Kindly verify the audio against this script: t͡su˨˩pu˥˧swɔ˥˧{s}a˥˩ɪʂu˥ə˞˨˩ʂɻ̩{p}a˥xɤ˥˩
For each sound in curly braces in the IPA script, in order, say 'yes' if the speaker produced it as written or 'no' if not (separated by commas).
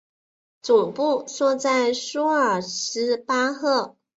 no, yes